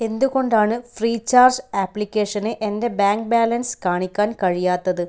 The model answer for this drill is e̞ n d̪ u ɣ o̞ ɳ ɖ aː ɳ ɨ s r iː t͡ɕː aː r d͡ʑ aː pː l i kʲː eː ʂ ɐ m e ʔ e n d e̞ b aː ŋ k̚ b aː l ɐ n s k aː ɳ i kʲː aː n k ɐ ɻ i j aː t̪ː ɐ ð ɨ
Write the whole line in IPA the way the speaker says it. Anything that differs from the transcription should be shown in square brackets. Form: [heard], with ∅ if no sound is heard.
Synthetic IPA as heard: e̞ n d̪ u ɣ o̞ ɳ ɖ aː ɳ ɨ [f] r iː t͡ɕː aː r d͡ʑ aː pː l i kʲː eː ʂ ɐ [n] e ʔ e n d e̞ b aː ŋ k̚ b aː l ɐ n s k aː ɳ i kʲː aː n k ɐ ɻ i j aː t̪ː ɐ ð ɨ

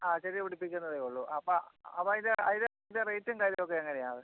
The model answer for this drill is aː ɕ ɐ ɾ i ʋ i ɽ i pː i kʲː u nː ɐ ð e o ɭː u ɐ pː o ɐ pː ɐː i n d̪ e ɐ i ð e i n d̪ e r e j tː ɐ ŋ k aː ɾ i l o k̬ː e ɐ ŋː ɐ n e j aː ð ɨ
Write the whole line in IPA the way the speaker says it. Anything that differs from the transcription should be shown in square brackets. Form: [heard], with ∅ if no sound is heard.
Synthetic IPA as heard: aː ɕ ɐ ɾ i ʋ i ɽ i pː i kʲː u nː ɐ ð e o ɭː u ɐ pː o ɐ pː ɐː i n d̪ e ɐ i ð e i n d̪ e r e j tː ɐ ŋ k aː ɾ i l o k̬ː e ɐ ŋː ɐ n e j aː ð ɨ

